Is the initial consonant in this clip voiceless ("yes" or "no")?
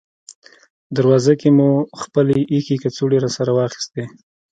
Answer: no